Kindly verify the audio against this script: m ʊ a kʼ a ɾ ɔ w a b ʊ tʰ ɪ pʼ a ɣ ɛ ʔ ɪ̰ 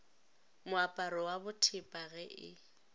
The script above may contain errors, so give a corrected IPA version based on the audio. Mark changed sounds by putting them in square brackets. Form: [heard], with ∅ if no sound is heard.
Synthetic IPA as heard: m ʊ a [pʼ] a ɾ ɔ w a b ʊ tʰ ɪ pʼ a ɣ ɛ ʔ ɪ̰